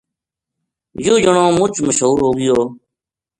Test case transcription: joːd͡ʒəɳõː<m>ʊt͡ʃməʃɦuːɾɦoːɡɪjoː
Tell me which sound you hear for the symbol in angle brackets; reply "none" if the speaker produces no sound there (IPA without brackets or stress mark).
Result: m